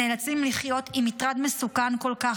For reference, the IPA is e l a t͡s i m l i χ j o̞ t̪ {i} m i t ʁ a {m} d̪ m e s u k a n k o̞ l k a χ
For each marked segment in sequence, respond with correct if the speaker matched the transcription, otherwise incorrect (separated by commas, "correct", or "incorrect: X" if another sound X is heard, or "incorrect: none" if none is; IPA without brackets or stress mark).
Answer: correct, incorrect: none